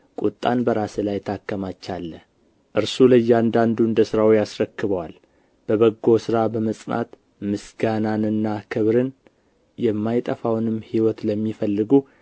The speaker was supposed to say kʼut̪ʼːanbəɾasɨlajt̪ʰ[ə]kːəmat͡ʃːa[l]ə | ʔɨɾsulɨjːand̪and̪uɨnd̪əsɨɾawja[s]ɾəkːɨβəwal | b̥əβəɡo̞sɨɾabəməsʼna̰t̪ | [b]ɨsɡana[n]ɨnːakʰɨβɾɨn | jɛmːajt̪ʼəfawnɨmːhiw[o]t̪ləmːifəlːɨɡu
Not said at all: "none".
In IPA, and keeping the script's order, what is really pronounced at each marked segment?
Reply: a, lː, s, m, n, ɔ

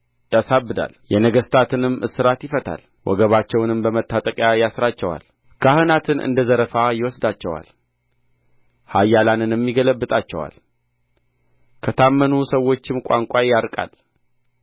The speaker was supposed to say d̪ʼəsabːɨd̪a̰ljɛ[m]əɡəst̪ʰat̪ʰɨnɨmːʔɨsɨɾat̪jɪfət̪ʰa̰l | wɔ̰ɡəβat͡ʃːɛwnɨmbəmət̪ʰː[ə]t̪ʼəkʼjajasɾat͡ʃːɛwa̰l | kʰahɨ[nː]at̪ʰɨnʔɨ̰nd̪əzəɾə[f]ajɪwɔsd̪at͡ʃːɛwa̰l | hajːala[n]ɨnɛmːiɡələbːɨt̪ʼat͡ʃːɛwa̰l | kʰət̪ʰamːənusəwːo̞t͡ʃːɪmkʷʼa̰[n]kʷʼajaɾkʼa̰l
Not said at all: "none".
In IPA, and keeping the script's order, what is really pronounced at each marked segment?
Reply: n, a, n, f, n, ŋ

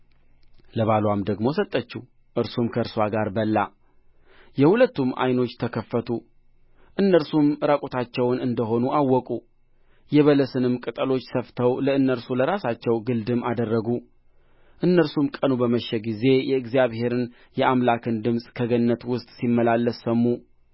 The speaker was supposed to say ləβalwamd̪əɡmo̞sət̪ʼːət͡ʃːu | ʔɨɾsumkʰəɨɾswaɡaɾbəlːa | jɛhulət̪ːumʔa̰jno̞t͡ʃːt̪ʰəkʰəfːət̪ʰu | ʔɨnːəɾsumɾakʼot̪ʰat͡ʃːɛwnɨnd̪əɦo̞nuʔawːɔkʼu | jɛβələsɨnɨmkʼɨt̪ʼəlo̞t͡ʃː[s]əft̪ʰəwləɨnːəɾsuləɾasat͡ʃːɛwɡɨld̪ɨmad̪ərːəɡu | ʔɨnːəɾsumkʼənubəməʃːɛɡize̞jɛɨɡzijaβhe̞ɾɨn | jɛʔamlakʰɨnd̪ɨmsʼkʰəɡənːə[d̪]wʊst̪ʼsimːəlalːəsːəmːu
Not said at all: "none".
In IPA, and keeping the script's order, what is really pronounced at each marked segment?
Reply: s, t̪

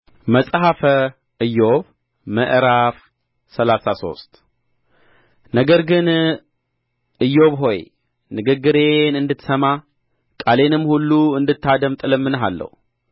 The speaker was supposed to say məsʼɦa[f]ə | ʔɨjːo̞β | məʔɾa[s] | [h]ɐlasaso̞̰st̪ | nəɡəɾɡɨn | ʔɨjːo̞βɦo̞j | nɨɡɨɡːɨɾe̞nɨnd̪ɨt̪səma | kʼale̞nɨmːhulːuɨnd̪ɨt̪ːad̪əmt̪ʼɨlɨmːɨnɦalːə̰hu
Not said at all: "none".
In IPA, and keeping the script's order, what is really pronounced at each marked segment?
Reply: f, f, s

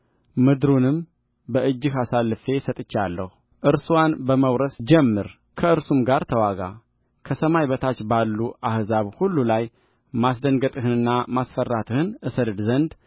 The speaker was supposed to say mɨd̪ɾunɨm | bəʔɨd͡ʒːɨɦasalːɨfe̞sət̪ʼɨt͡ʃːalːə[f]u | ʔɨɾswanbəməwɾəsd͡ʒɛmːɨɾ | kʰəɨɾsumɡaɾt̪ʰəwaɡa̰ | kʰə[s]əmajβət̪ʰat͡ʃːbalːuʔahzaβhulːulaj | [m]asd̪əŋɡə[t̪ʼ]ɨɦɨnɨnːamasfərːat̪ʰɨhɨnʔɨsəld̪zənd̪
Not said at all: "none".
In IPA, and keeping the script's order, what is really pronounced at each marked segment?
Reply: h, s, m, t̪ʼ

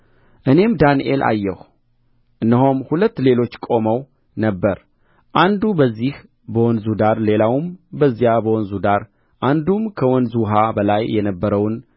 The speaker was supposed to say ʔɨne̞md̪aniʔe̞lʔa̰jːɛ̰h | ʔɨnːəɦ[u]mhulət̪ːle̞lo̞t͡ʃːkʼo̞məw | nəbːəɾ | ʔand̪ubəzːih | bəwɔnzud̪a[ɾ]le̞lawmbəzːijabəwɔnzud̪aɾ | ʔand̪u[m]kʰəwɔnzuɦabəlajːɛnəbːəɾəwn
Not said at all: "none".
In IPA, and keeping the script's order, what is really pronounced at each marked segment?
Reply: o, ɾ, m

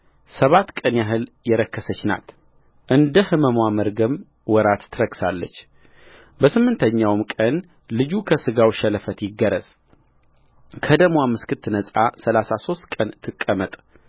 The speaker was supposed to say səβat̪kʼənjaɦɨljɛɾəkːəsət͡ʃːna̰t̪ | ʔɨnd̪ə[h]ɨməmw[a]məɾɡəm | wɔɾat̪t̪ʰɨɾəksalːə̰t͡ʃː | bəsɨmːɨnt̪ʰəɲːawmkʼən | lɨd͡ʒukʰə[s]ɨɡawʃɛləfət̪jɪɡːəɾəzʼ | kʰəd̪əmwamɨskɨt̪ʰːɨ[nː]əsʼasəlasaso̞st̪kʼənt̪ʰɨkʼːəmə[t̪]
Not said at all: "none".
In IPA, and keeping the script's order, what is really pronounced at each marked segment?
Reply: h, a, s, n, t̪ʼ

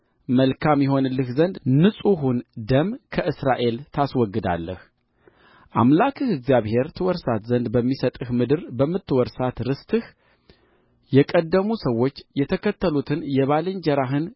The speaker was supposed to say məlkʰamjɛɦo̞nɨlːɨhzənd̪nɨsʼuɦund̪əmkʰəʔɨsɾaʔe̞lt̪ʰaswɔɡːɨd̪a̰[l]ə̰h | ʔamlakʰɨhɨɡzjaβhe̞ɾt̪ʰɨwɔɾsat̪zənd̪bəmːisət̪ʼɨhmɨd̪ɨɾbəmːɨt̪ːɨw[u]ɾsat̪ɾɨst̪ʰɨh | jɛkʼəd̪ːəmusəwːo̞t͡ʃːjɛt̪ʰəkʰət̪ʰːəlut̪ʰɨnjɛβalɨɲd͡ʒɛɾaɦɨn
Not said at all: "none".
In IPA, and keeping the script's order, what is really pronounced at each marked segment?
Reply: lː, ɔ

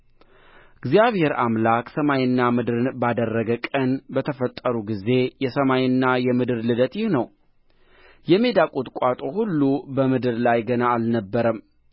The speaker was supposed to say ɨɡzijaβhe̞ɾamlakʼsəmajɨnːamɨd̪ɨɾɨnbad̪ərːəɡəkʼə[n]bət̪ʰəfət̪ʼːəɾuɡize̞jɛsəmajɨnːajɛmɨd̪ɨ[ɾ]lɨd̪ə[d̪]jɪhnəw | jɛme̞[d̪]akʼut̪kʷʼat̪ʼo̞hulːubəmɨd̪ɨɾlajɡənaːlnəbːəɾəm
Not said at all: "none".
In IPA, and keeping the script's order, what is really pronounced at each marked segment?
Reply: n, ɾ, t̪, d̪

